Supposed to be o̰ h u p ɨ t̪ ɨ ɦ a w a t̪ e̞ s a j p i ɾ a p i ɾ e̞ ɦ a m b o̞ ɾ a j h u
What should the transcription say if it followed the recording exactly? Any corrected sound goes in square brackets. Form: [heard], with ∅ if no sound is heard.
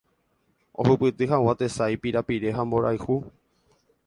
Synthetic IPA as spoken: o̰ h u p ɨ t̪ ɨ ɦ a w a t̪ e̞ s a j p i ɾ a p i ɾ e̞ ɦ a m b o̞ ɾ a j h u